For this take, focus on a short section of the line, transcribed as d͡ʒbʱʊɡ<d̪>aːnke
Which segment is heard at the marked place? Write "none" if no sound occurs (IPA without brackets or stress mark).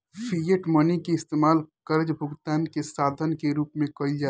t̪